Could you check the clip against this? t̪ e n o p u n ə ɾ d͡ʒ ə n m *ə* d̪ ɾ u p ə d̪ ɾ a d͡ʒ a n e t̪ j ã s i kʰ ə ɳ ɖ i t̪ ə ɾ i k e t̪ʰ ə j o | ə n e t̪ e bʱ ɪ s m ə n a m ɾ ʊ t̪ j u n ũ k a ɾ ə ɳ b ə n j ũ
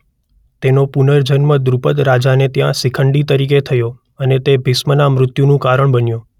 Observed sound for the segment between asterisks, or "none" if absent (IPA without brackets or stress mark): ə